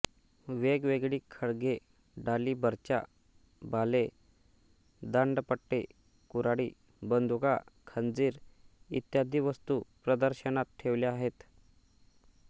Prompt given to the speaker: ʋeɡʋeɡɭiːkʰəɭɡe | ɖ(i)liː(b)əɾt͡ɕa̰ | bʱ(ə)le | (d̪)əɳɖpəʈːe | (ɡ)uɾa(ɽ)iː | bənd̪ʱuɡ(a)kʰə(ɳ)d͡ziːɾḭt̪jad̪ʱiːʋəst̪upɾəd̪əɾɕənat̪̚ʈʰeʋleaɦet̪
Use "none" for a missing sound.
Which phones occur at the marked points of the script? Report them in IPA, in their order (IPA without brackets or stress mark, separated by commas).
a, b, a, d̪, k, ɽ, a, n